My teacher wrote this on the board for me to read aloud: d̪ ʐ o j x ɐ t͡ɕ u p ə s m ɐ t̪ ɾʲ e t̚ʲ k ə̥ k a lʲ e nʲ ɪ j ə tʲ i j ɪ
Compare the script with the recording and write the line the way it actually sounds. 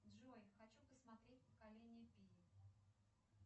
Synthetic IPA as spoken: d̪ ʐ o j x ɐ t͡ɕ u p ə s m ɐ t̪ ɾʲ e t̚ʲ p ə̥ k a lʲ e nʲ ɪ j ə pʲ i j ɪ